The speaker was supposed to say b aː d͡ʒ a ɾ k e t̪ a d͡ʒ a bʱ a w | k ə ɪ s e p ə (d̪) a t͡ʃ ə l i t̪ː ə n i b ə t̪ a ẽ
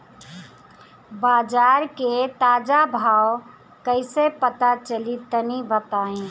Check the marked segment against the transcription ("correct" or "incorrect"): incorrect